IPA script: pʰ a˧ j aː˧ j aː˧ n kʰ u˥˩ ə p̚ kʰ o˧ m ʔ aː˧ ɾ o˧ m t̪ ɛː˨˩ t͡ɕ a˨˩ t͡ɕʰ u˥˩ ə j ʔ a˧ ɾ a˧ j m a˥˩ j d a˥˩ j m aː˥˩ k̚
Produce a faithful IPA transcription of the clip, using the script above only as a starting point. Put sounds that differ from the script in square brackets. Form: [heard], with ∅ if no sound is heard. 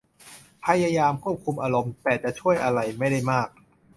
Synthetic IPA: pʰ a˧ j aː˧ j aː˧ [m] kʰ u˥˩ ə p̚ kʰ [u˧] m ʔ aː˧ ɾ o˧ m t̪ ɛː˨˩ t͡ɕ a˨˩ t͡ɕʰ u˥˩ ə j ʔ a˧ ɾ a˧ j m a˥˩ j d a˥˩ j m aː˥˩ k̚